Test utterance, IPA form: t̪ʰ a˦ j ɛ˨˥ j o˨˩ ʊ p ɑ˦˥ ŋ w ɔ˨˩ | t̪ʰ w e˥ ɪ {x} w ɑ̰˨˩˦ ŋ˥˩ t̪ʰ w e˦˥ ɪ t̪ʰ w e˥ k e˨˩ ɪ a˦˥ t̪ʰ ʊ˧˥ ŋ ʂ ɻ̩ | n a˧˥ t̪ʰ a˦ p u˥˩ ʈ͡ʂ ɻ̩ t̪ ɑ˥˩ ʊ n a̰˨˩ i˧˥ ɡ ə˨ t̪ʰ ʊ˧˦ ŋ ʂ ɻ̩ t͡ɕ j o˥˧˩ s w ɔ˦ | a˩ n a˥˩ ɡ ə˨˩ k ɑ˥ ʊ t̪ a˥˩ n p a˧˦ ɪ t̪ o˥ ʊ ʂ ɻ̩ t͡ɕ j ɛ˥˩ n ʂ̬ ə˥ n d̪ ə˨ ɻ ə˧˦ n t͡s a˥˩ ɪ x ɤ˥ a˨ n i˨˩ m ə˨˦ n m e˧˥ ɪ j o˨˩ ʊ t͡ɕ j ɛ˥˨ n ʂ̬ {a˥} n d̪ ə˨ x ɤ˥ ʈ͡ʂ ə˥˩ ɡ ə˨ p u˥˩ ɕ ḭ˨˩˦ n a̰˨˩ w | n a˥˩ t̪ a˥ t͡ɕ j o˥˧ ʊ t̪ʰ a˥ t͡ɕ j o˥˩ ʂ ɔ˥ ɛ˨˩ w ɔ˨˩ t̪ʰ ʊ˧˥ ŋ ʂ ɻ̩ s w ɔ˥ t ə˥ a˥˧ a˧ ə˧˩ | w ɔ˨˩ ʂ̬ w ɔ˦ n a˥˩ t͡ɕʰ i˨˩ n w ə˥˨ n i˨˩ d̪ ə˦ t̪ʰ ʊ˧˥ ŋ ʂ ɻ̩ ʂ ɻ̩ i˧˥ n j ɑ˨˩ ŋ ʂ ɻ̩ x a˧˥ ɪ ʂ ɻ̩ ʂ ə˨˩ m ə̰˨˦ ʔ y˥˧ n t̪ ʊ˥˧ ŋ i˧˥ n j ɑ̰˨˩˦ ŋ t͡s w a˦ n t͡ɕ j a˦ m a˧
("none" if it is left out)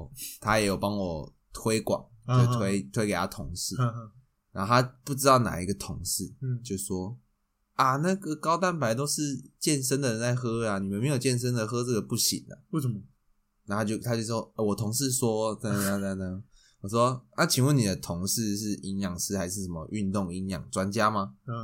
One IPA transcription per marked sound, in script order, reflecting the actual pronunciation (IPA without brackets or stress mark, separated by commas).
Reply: k, ə˥